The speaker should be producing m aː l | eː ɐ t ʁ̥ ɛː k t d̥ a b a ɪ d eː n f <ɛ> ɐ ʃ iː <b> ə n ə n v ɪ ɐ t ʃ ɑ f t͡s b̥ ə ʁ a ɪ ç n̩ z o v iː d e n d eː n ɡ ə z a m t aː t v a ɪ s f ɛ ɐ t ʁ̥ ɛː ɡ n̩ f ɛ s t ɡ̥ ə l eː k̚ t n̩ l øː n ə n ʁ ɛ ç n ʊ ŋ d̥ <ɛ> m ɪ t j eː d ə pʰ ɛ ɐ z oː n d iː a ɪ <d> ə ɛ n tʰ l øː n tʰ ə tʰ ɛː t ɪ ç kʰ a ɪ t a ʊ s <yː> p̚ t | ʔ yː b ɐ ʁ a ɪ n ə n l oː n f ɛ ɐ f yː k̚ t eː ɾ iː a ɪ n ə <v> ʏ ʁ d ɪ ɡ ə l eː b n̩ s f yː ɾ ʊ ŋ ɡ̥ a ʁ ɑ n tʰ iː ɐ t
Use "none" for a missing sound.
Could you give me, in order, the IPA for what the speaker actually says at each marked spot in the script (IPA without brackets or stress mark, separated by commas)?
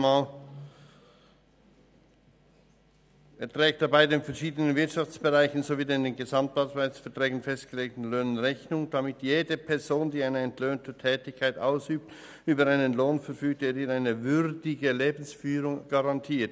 ɛ, d, a, n, yː, v